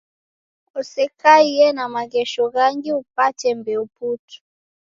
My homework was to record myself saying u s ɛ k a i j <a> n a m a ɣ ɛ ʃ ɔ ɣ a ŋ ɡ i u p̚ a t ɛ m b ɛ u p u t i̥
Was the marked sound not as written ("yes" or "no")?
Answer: yes